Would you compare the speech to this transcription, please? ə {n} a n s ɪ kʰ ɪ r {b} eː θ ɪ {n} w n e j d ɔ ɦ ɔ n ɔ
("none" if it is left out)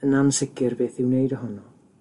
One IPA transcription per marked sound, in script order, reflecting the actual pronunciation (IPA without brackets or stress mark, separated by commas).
n, b, none